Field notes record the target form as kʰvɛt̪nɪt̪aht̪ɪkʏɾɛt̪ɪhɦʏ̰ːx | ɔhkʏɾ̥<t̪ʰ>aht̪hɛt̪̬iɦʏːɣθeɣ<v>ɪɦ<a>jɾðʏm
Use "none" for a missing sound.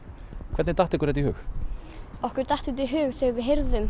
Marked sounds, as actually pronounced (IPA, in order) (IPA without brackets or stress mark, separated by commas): t̪, v, e